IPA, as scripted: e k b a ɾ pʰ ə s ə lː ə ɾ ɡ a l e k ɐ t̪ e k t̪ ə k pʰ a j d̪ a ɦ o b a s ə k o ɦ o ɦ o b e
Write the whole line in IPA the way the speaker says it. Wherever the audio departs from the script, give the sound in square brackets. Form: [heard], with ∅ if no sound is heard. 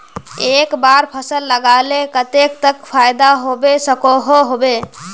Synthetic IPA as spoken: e k b a ɾ pʰ ə s ə lː ə [∅] ɡ a l e k [ə] t̪ e k t̪ ə k pʰ a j d̪ a ɦ o b [e] s ə k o ɦ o ɦ o b e